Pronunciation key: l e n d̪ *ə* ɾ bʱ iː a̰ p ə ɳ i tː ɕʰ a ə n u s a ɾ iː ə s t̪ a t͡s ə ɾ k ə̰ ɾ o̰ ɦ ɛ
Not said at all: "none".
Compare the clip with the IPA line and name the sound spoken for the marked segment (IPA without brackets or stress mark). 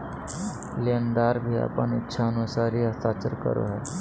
a